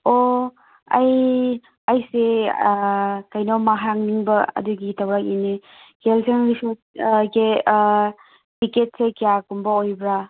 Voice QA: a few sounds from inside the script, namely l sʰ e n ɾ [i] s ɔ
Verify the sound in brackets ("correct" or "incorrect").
correct